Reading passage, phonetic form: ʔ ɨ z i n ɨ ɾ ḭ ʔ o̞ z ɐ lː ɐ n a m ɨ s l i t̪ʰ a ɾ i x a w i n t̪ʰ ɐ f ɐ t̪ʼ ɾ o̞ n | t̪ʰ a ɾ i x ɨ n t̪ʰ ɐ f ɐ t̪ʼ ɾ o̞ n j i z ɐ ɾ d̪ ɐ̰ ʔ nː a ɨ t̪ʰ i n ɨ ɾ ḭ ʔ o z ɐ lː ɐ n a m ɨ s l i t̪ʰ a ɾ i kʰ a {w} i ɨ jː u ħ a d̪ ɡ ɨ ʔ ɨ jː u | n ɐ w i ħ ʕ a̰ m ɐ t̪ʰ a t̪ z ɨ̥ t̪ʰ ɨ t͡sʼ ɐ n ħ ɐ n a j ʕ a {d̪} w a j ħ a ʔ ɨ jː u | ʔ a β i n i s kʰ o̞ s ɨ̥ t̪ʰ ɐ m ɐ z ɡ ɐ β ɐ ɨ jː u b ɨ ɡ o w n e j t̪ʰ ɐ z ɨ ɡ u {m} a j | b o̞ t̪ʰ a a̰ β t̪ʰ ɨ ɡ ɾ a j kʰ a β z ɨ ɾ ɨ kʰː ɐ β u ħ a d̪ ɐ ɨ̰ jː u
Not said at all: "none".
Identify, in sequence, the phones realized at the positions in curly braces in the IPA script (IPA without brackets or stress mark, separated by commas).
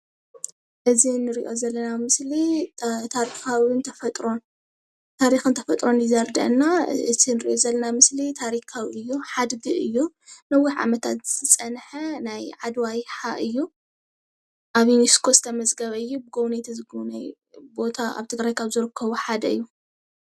w, d̪, n